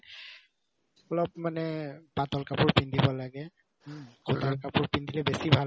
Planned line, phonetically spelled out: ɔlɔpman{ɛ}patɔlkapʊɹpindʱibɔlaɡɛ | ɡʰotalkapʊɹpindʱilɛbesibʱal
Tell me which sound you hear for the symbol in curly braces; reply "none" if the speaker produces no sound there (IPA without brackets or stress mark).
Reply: ɛ